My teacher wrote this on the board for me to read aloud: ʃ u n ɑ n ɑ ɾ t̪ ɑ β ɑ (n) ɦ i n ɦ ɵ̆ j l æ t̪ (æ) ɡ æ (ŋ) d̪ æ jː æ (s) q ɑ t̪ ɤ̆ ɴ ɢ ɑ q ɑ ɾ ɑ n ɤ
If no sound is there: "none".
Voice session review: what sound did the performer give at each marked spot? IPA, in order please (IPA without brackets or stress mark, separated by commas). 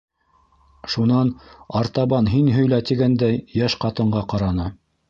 n, i, n, ʃ